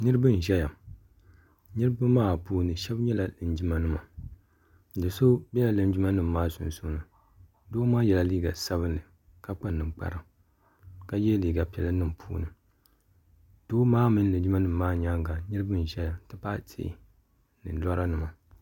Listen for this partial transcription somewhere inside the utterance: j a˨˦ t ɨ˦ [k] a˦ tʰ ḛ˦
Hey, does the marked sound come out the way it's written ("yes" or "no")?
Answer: no